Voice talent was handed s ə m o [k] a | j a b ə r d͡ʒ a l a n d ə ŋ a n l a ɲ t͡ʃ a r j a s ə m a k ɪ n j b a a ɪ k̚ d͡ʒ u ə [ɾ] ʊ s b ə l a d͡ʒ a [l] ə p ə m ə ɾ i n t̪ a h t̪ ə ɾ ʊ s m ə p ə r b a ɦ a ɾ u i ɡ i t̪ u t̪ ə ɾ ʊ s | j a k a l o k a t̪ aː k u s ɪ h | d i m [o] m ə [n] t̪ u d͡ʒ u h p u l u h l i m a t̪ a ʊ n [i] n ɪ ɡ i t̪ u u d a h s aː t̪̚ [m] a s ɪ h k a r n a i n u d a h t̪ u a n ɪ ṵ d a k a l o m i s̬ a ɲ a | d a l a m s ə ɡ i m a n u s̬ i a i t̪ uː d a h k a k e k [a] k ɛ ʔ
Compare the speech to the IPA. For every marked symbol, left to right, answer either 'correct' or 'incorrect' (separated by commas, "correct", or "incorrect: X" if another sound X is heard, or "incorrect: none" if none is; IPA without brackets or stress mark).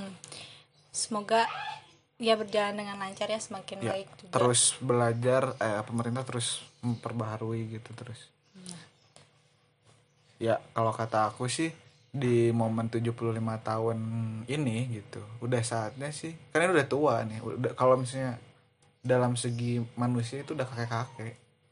incorrect: ɡ, correct, incorrect: r, correct, correct, correct, incorrect: ɲ, correct